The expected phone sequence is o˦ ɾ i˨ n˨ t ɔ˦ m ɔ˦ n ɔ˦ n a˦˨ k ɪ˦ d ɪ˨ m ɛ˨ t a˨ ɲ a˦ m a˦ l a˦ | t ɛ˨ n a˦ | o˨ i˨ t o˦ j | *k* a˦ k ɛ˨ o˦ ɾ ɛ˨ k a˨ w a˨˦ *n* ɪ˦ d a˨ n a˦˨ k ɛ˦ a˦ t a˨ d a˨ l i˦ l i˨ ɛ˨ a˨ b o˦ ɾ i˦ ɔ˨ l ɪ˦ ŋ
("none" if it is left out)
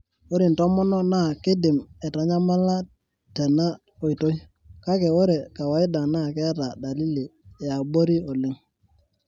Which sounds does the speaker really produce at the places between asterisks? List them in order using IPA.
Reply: k, none

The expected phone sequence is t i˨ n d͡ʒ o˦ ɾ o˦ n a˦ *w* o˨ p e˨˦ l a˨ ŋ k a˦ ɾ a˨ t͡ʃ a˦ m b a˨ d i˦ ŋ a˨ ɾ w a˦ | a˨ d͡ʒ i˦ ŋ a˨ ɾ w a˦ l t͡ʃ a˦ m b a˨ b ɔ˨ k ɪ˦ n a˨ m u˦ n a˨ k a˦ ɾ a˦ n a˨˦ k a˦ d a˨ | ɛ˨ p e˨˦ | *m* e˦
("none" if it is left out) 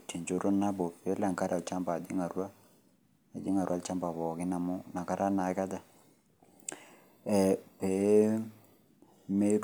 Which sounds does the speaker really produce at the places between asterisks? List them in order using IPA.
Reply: b, m

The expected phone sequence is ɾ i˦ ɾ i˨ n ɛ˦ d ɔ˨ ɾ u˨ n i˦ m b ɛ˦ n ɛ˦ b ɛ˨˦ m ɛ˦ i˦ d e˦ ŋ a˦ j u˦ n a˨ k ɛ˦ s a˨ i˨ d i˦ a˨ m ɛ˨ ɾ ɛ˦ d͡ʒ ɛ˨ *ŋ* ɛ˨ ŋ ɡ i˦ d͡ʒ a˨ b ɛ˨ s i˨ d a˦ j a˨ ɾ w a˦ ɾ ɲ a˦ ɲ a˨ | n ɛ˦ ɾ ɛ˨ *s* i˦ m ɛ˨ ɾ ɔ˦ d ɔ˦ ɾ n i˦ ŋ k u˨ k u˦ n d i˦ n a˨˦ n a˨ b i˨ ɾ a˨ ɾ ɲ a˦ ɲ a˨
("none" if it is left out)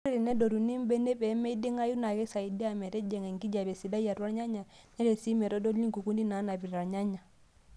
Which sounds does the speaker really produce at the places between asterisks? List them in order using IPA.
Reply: ŋ, s

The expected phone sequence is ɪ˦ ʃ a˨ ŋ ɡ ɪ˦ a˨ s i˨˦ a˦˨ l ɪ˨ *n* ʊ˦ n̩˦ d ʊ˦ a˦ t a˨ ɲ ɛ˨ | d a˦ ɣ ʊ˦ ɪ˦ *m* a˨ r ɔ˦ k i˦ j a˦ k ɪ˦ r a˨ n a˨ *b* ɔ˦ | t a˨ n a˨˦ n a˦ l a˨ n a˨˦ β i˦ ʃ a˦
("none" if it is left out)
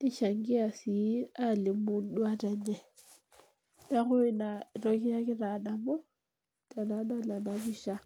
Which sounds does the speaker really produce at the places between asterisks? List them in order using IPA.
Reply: m, n, m

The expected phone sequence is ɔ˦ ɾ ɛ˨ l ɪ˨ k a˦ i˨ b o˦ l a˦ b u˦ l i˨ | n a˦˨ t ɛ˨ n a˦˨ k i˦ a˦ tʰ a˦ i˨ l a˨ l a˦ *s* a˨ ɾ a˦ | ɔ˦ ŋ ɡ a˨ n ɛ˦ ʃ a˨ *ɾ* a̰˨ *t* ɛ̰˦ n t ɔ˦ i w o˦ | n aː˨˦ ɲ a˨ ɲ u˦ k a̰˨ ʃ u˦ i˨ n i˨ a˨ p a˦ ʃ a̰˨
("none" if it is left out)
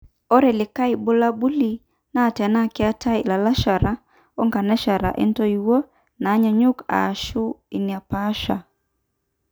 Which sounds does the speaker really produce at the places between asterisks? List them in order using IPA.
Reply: ʃ, ɾ, ʔ

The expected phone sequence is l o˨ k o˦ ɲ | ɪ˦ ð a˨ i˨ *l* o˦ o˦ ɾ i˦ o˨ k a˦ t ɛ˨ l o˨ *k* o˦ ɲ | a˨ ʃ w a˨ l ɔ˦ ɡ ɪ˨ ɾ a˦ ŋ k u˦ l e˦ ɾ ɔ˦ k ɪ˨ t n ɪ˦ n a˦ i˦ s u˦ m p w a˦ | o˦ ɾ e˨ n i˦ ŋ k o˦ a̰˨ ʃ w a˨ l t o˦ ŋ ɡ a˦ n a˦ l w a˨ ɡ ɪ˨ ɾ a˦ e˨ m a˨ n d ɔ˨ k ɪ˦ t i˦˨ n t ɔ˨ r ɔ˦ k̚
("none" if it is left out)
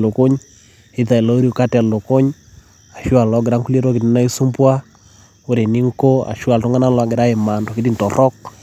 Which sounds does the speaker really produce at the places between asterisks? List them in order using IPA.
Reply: l, k

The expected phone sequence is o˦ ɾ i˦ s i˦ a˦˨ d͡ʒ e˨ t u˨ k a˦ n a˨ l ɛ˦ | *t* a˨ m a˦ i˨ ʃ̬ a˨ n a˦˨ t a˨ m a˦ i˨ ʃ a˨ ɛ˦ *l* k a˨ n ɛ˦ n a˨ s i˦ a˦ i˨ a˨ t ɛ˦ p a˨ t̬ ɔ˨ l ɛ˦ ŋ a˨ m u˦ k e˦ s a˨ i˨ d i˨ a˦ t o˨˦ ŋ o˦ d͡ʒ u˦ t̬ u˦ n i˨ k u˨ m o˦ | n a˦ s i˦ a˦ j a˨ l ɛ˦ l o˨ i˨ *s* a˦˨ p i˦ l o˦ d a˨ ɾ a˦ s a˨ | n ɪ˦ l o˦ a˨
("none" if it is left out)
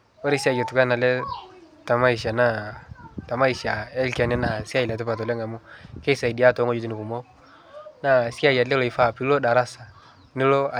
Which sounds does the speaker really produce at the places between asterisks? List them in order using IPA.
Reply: t, l, f

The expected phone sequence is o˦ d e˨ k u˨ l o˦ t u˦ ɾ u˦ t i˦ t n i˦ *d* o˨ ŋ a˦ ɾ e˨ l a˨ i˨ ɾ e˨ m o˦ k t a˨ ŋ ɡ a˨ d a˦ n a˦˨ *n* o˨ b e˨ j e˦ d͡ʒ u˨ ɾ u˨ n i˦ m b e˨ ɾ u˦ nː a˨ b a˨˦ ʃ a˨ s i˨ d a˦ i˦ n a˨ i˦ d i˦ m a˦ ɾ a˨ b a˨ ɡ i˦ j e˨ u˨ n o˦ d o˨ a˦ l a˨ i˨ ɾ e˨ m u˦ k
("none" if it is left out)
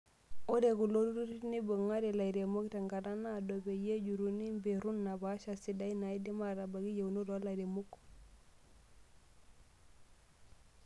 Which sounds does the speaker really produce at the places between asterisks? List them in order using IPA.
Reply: b, d

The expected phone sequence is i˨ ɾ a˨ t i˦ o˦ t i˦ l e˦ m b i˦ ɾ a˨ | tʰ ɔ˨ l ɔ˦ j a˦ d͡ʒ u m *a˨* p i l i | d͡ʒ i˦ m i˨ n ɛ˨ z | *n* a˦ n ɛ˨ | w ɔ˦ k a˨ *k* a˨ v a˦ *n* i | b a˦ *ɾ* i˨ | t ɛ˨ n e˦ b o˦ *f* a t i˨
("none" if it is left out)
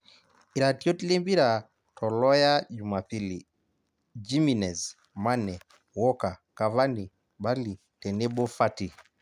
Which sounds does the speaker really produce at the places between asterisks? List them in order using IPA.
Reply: a˨, m, k, n, l, f

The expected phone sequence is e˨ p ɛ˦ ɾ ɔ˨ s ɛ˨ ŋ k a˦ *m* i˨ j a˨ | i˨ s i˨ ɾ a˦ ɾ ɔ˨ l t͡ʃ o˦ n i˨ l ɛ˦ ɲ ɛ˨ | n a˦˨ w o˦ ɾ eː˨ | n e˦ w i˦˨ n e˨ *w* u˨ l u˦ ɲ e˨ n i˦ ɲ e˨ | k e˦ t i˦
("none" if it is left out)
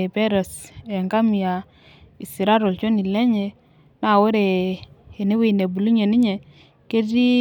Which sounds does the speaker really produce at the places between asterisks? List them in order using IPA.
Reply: m, b

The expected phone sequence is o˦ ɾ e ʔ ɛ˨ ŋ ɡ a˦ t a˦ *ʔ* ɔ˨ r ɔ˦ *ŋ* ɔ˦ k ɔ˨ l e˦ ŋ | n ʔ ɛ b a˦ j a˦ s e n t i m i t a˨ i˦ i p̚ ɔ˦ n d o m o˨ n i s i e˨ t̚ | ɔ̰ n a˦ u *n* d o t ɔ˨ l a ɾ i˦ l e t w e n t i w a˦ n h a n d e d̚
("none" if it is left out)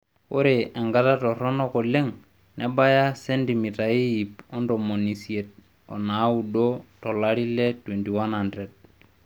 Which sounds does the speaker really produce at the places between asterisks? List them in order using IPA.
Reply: t, n, none

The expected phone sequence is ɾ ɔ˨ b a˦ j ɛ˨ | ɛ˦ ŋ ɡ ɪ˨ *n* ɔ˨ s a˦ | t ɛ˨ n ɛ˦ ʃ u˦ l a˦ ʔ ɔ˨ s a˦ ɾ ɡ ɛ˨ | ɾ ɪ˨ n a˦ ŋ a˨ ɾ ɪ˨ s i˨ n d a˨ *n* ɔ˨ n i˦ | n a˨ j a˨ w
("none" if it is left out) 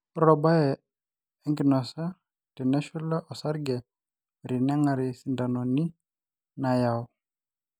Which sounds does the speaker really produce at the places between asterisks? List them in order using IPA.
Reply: n, n

